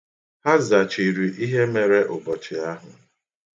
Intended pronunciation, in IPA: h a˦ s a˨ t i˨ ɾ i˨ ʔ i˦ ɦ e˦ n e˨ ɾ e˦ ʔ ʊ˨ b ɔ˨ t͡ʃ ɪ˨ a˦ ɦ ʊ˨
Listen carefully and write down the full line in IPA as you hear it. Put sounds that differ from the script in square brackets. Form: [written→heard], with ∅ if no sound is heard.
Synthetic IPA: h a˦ [s→z] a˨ [t→t͡ʃ] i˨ ɾ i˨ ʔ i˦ ɦ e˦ [n→m] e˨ ɾ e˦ ʔ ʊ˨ b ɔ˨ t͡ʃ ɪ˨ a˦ ɦ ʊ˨